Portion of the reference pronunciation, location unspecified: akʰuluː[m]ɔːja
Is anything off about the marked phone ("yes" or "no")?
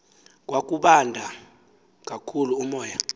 no